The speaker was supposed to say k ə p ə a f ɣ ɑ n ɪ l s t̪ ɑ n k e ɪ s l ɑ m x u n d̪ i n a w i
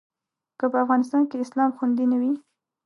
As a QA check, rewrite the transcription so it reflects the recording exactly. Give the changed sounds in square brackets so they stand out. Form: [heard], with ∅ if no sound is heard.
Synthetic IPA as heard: k ə p ə a f ɣ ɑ n ɪ [∅] s t̪ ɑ n k e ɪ s l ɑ m x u n d̪ i n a w i

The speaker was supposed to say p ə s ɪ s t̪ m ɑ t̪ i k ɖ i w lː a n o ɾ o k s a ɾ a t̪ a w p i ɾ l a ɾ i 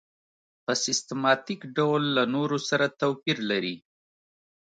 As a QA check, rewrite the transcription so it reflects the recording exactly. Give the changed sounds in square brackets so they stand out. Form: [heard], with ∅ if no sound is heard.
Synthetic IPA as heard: p ə s ɪ s t̪ m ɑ t̪ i k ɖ [a] w lː a n o ɾ o [∅] s a ɾ a t̪ a w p i ɾ l a ɾ i

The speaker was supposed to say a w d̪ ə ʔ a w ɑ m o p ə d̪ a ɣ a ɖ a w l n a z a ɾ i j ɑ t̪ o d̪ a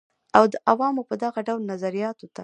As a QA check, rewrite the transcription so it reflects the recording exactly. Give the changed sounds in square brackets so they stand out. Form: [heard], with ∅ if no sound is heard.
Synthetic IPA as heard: a w d̪ ə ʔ a w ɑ m o p ə d̪ a ɣ a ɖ a w l n a z a ɾ i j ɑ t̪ o [t̪] a

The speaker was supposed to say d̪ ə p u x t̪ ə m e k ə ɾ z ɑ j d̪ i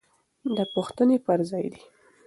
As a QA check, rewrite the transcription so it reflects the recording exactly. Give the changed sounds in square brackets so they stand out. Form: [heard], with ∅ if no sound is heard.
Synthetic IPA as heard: d̪ ə p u x t̪ ə [n] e [p] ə ɾ z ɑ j d̪ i

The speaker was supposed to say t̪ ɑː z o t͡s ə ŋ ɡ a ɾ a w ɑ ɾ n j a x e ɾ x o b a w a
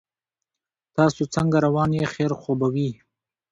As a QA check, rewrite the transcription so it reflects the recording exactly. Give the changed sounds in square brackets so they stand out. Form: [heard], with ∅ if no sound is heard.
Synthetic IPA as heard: t̪ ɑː [s] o t͡s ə ŋ ɡ a ɾ a w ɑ [∅] n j [e] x e ɾ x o b a w [i]

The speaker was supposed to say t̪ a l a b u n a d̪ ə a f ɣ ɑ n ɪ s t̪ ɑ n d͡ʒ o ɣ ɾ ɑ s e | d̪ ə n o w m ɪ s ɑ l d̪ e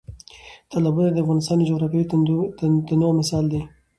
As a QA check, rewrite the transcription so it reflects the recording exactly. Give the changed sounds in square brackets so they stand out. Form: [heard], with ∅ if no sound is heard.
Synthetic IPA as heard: t̪ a l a b u n a d̪ ə a f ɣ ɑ n ɪ s t̪ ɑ n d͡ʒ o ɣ ɾ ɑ [f] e | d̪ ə n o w m ɪ s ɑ l d̪ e

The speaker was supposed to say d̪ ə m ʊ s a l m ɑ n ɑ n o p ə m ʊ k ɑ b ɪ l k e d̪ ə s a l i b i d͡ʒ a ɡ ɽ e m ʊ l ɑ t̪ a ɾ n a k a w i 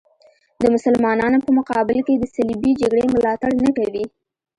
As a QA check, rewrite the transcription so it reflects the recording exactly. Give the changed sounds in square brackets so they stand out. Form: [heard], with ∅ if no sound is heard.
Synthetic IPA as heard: d̪ ə m ʊ s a l m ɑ n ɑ n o p ə m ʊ [q] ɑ b ɪ l k e d̪ ə s a l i b i d͡ʒ a ɡ ɽ e m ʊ l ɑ t̪ a [ɽ] n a k a w i

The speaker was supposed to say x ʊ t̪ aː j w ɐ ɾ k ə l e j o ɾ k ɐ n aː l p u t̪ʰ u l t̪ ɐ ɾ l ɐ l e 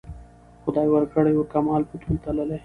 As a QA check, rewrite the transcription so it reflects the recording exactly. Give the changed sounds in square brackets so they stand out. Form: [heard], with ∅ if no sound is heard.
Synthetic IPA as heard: x ʊ [d̪] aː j w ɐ ɾ k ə [ɽ] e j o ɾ k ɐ [m] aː l p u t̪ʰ u l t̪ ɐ [∅] l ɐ l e

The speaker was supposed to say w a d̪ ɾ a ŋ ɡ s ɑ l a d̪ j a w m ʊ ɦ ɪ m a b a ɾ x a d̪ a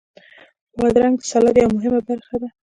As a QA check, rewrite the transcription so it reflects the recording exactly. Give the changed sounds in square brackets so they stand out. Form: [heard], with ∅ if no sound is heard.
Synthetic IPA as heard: w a d̪ ɾ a ŋ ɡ s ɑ l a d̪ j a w m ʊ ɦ ɪ m a b a ɾ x a d̪ a

